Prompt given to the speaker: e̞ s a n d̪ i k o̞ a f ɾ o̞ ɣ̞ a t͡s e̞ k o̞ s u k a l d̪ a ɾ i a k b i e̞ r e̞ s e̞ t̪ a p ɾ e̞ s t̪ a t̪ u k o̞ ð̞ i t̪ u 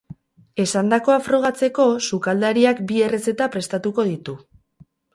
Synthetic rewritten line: e̞ s a n d̪ a k o̞ a f ɾ o̞ ɣ̞ a t͡s e̞ k o̞ s u k a l d̪ a ɾ i a k b i e̞ r e̞ s e̞ t̪ a p ɾ e̞ s t̪ a t̪ u k o̞ ð̞ i t̪ u